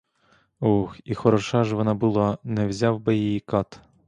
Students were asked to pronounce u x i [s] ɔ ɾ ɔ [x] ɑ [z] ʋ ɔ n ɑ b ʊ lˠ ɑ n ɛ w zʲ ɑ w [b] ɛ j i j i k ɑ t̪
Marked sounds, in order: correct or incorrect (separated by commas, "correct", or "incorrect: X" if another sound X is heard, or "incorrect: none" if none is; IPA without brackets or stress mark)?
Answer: incorrect: x, incorrect: ʃ, incorrect: ʒ, correct